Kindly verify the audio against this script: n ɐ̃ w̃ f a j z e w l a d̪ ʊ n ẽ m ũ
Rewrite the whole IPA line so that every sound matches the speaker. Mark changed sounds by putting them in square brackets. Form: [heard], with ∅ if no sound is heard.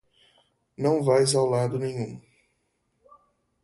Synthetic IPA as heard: n ɐ̃ w̃ [v] a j z [a] w l a d̪ ʊ n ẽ [ɲ] ũ

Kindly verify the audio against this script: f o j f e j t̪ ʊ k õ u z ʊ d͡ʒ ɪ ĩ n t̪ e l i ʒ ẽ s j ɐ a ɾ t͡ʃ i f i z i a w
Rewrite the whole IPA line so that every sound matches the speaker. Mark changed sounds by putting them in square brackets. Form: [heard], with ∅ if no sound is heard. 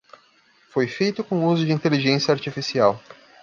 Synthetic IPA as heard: f o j f e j t̪ ʊ k õ u z ʊ d͡ʒ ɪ ĩ n t̪ e l i ʒ ẽ s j ɐ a ɾ t͡ʃ i f i [s] i a w

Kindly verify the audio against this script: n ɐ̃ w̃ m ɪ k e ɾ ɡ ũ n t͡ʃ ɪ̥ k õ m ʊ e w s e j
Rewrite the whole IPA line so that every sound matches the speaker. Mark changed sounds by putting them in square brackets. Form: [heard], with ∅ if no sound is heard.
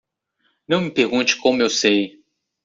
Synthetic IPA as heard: n ɐ̃ w̃ m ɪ [p] e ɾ ɡ ũ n t͡ʃ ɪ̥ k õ m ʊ e w s e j

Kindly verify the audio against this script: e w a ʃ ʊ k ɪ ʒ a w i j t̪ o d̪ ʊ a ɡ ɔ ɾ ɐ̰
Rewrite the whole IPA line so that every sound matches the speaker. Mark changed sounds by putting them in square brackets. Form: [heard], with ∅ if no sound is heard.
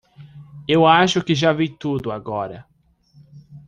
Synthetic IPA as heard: e w a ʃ ʊ k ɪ ʒ a [v] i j t̪ [u] d̪ ʊ a ɡ ɔ ɾ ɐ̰

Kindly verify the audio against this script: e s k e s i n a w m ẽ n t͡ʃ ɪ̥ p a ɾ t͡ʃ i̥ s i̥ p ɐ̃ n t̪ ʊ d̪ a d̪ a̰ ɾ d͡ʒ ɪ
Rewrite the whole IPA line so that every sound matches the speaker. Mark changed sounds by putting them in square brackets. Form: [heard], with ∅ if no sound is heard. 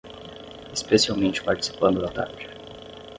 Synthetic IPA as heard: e s [p] e s i [∅] a w m ẽ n t͡ʃ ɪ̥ p a ɾ t͡ʃ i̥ s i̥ p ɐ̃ n [d̪] ʊ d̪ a [t̪] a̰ ɾ d͡ʒ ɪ

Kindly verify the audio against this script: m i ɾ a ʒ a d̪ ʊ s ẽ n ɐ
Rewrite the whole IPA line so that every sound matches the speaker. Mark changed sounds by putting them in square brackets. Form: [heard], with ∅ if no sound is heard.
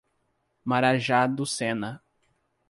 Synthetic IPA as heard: m [a] ɾ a ʒ a d̪ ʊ s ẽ n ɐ

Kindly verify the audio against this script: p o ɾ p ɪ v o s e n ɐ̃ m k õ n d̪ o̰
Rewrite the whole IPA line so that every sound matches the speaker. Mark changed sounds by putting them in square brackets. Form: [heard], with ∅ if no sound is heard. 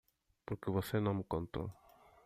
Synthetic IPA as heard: p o ɾ [k] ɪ [β] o s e n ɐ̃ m k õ n [t̪] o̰

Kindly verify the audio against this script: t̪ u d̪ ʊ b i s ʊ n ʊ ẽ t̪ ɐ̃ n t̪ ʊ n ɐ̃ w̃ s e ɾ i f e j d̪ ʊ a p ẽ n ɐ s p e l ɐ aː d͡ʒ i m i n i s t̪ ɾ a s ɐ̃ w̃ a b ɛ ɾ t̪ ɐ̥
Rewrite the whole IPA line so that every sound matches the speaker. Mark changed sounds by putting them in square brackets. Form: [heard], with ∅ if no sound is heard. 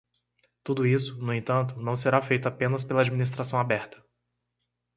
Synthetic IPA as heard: t̪ u d̪ ʊ [∅] i s ʊ n ʊ ẽ t̪ ɐ̃ n t̪ ʊ n ɐ̃ w̃ s e ɾ [a] f e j [t̪] ʊ a p ẽ n ɐ s p e l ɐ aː d͡ʒ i m i n i s t̪ ɾ a s ɐ̃ w̃ a b ɛ ɾ t̪ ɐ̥

